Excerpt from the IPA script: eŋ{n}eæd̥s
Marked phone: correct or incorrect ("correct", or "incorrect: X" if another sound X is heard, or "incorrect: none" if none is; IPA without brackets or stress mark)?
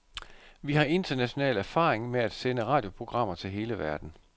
incorrect: m